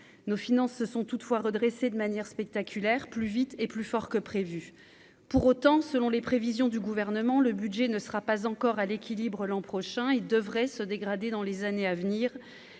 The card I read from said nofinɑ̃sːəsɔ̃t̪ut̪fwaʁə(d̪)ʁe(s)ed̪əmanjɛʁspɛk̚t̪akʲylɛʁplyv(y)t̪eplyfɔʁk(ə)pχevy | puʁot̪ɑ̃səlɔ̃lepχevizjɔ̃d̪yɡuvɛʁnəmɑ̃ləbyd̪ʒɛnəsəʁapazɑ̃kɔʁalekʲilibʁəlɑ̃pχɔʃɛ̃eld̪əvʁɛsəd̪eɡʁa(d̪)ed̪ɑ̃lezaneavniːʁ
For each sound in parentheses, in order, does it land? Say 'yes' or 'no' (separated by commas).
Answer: yes, yes, no, yes, yes